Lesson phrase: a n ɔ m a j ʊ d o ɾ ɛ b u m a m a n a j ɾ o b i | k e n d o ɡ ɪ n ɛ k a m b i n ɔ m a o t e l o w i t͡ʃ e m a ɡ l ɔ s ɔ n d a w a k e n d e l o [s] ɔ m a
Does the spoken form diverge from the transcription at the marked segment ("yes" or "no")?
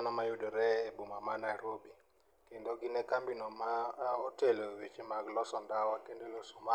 no